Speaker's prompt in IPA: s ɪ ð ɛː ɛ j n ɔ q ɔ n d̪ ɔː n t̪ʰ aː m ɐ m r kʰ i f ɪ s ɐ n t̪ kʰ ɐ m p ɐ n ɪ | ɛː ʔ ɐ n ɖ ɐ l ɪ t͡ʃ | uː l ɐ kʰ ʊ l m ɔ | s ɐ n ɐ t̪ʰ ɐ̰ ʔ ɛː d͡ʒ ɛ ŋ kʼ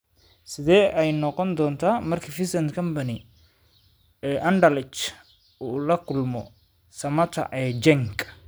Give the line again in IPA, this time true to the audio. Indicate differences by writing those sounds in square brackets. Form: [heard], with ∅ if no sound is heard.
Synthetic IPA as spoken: s ɪ ð ɛː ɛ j n ɔ q ɔ n d̪ ɔː n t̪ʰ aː m ɐ [∅] r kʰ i f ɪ s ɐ n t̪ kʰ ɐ m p ɐ n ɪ | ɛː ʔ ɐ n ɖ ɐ l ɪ t͡ʃ | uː l ɐ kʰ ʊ l m ɔ | s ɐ [m] ɐ t̪ʰ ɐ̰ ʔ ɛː d͡ʒ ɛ ŋ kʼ